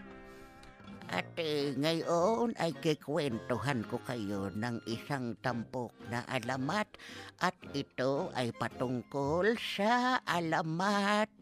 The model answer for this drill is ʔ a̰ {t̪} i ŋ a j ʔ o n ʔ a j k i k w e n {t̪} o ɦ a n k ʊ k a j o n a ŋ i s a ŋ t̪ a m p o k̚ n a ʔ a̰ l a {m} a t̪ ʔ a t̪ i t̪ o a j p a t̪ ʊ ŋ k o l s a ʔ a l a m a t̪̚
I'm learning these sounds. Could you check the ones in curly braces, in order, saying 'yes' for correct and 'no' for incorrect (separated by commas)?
yes, yes, yes